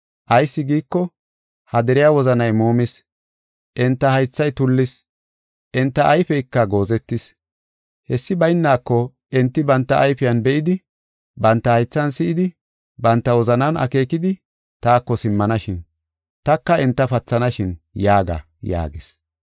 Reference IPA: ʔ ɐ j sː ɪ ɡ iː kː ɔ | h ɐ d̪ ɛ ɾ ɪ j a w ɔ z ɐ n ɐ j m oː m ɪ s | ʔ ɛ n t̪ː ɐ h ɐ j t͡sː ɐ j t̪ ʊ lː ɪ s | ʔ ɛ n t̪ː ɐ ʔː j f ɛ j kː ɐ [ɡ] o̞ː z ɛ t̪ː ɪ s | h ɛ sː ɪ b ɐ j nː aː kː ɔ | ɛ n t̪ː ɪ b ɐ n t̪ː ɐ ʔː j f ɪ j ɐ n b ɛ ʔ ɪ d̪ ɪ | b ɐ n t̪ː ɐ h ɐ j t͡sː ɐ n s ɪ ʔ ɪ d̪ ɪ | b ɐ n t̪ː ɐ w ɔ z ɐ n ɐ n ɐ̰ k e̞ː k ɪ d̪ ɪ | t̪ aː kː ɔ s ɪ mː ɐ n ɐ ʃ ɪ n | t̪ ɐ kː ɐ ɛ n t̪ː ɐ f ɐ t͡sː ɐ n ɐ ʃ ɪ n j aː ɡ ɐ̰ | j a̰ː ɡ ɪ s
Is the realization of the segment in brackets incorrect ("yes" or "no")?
no